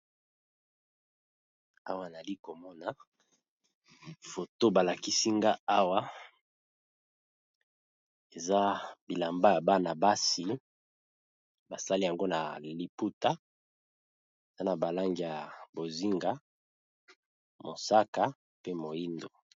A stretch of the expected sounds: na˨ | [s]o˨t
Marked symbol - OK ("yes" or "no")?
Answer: no